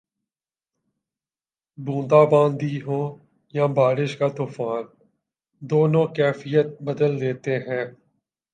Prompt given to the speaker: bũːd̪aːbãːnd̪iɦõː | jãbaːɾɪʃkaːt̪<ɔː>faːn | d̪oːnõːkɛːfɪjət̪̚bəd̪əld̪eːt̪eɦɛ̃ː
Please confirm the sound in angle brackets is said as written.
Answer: no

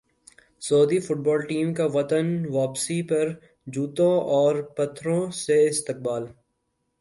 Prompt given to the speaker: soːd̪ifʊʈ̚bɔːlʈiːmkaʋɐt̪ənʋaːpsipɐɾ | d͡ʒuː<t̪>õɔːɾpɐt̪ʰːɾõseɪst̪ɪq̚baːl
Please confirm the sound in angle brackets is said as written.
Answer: yes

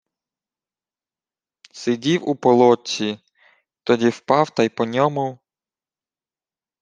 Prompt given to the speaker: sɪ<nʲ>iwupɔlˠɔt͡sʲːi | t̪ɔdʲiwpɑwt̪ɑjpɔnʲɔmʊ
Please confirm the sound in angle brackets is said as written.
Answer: no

